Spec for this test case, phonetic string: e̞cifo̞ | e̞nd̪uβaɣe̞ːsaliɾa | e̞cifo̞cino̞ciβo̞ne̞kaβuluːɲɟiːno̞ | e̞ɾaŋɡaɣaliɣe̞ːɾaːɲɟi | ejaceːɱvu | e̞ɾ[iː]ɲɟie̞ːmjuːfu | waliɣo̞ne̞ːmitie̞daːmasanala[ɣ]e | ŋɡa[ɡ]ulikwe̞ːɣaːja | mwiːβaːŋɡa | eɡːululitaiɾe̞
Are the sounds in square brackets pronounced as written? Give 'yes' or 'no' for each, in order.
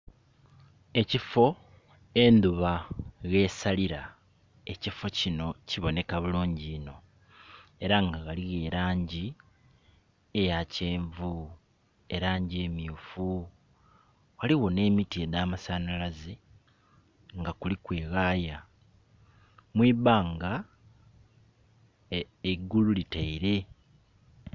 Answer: no, no, no

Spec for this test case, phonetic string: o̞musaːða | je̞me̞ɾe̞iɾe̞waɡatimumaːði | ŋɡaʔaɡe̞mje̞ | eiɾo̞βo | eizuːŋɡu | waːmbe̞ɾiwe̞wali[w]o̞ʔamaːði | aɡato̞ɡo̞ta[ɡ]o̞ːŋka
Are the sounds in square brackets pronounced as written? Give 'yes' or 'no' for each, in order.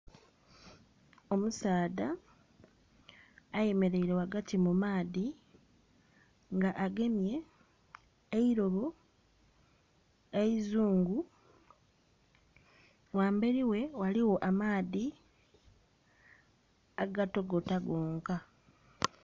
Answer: yes, yes

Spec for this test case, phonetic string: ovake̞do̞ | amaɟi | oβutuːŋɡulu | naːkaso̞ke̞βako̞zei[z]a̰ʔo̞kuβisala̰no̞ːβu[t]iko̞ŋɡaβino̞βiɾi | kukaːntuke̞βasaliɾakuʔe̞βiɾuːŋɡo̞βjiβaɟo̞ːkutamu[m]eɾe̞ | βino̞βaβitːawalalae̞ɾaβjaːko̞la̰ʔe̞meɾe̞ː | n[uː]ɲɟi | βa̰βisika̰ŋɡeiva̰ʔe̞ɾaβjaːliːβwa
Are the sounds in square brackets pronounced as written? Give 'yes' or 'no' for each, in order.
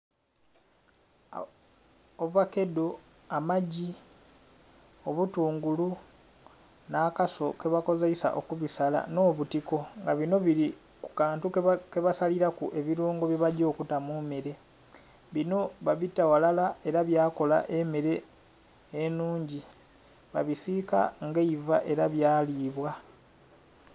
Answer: no, yes, yes, yes

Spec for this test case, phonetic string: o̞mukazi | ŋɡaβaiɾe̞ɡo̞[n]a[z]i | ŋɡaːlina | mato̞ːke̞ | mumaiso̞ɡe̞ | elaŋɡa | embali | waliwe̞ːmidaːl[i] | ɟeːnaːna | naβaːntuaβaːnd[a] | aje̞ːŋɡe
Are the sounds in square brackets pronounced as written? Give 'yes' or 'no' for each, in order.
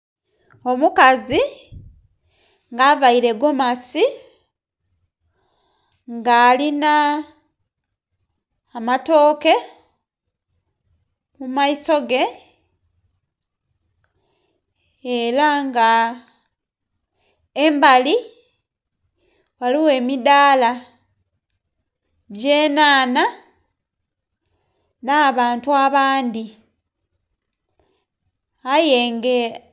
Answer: no, no, no, no

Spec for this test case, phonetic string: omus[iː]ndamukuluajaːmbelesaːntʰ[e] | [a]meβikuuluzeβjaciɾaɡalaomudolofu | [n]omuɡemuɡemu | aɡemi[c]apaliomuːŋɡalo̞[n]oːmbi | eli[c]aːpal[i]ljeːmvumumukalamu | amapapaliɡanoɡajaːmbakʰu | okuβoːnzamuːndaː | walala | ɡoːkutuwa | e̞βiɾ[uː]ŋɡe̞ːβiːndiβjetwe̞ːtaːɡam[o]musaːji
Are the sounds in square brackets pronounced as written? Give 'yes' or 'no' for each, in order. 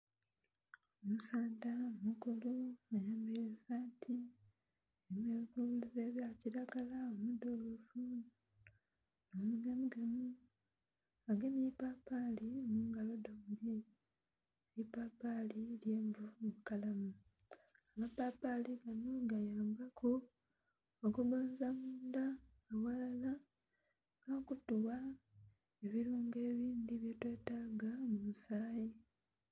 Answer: no, no, no, yes, no, no, no, yes, yes, no

